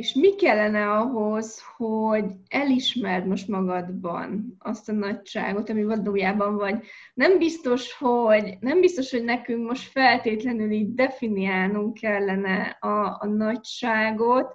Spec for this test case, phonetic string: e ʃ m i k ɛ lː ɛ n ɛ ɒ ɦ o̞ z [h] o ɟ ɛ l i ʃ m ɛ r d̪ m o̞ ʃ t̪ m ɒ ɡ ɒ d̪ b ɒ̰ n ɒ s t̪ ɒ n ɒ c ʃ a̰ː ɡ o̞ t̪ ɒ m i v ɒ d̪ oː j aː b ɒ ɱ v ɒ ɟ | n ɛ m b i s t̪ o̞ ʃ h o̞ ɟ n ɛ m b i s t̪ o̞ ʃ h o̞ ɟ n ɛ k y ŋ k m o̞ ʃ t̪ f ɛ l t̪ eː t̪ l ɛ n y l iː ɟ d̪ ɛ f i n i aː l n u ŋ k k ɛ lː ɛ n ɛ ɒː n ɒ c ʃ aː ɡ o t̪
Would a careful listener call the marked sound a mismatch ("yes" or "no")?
no